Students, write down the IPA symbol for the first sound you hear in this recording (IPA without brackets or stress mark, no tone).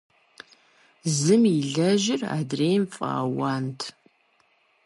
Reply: z